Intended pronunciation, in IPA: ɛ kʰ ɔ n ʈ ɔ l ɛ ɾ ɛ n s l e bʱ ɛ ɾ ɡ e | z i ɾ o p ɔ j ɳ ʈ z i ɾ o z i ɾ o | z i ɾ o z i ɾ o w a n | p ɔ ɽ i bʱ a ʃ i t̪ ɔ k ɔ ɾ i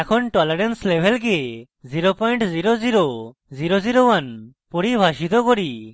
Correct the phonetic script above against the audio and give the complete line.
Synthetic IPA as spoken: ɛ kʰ ɔ n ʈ ɔ l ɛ ɾ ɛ n s l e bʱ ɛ l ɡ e | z i ɾ o p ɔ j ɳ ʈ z i ɾ o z i ɾ o | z i ɾ o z i ɾ o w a n | p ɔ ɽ i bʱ a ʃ i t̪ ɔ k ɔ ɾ i